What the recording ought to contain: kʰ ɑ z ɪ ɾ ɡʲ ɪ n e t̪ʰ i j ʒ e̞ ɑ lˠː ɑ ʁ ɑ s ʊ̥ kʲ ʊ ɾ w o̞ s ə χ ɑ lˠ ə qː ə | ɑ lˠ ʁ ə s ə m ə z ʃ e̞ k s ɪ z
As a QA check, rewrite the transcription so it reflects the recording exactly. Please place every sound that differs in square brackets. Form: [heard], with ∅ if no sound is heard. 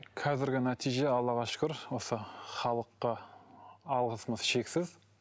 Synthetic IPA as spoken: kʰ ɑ z ɪ ɾ ɡʲ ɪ n [æ] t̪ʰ i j ʒ e̞ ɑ lˠː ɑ ʁ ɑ [ʃ] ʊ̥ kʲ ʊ ɾ w o̞ s ə χ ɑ lˠ ə qː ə | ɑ lˠ ʁ ə s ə m ə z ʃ e̞ k s ɪ z